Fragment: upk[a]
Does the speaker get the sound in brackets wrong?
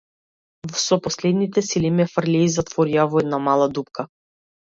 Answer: no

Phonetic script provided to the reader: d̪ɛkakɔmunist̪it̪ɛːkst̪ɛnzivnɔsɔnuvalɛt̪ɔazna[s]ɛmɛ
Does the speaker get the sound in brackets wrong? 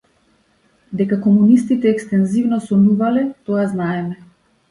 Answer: yes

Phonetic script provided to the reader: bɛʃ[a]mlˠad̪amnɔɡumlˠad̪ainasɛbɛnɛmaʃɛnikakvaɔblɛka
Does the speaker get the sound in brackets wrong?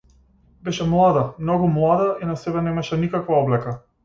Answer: yes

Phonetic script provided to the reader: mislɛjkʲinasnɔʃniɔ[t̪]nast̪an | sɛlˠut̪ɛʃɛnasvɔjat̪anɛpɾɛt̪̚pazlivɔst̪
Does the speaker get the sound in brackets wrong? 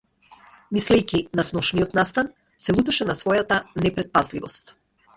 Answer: no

